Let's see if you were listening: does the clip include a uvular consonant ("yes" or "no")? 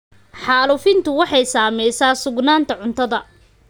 no